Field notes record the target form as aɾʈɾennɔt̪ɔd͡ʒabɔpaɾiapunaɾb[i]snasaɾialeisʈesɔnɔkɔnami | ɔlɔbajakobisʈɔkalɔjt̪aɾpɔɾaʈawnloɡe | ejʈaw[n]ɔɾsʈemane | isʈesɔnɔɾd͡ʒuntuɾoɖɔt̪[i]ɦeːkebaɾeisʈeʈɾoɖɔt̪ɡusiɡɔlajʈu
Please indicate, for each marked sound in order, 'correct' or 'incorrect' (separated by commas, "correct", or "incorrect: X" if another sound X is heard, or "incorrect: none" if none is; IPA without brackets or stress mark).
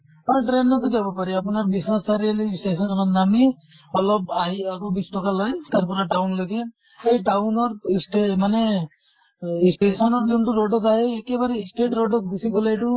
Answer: correct, correct, incorrect: a